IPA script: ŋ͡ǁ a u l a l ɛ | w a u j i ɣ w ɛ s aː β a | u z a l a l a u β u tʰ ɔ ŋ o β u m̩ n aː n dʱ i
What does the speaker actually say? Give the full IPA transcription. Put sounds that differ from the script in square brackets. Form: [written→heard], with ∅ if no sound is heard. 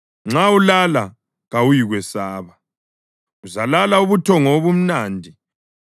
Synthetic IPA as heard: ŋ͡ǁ a u l a l [ɛ→a] | [w→ɣ] a u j i ɣ w ɛ s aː β a | u z a l a l a u β u tʰ ɔ ŋ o β u m̩ n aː n dʱ i